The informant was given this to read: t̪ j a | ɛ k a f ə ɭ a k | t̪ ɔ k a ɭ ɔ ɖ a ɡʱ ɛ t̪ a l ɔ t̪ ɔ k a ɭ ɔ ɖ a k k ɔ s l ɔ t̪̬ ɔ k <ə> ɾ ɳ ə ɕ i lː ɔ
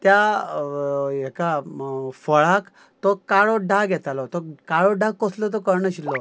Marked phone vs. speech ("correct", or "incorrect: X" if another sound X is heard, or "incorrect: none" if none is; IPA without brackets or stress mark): correct